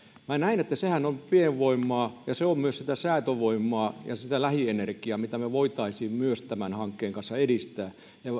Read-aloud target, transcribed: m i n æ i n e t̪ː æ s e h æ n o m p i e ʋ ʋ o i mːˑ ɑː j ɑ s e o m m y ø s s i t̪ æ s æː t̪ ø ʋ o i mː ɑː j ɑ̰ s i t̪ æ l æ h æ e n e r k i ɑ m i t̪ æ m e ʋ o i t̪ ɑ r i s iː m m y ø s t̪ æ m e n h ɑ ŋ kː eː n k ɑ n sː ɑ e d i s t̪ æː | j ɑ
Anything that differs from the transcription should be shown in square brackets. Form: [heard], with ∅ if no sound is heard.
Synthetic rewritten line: m [æ] n æ i n e t̪ː æ s e h æ n o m p i e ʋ ʋ o i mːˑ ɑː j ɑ s e o m m y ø s s i t̪ æ s æː t̪ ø ʋ o i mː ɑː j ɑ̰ s i t̪ æ l æ h [i] e n e r k i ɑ m i t̪ æ m e ʋ o i t̪ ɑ [∅] i s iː m m y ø s t̪ æ m [æ] n h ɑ ŋ kː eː [ŋ] k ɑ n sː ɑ e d i s t̪ æː | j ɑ